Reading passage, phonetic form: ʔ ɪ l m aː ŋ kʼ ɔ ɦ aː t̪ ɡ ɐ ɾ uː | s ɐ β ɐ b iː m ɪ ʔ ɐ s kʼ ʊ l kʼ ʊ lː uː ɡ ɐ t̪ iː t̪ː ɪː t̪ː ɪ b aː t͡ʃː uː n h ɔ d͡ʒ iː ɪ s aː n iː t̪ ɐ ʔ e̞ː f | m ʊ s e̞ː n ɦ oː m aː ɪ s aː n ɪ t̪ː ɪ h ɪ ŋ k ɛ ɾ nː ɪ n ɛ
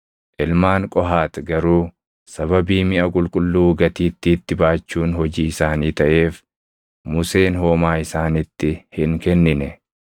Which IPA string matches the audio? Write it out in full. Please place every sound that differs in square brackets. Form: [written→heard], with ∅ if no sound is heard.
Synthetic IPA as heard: ʔ ɪ l m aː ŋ kʼ ɔ ɦ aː t̪ ɡ ɐ ɾ uː | s ɐ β ɐ b iː m ɪ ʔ ɐ [s→∅] kʼ ʊ l kʼ ʊ lː uː ɡ ɐ t̪ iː t̪ː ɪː t̪ː ɪ b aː t͡ʃː uː n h ɔ d͡ʒ iː ɪ s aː n iː t̪ ɐ ʔ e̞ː f | m ʊ s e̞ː n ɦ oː m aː ɪ s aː n ɪ t̪ː ɪ h ɪ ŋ k ɛ [ɾ→∅] nː ɪ n ɛ